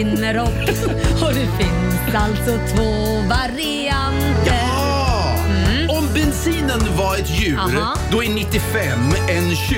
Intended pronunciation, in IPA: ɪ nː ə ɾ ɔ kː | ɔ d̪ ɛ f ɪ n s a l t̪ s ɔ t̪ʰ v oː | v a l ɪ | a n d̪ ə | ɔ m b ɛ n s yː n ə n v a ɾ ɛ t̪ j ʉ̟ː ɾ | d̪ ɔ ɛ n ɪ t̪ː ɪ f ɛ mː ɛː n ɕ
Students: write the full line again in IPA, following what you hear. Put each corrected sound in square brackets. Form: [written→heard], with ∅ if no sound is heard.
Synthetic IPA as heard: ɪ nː ə ɾ ɔ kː | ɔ d̪ ɛ f ɪ n s a l t̪ s ɔ t̪ʰ v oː | v a [l→ɾ] ɪ | a n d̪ ə | ɔ m b ɛ n s [yː→iː] n ə n v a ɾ ɛ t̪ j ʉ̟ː ɾ | d̪ ɔ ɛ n ɪ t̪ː ɪ f ɛ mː [ɛː→ɛ] n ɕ